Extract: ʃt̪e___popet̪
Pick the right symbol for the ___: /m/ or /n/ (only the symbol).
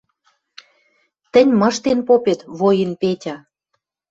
n